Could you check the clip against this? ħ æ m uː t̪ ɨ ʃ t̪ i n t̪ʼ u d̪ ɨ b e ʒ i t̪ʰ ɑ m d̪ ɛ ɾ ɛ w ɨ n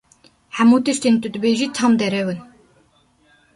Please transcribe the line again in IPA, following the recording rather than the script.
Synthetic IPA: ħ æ m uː t̪ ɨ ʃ t̪ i n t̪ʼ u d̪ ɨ b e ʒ i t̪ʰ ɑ m d̪ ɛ ɾ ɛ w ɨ n